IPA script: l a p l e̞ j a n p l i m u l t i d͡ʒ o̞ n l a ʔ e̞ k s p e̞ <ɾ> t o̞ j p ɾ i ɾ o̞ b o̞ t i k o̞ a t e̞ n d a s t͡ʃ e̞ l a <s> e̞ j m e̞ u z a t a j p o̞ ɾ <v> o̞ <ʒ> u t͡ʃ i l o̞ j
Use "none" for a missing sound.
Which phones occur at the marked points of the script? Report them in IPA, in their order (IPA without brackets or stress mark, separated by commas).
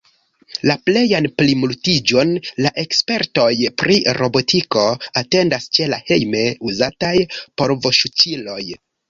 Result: ɾ, h, v, ʃ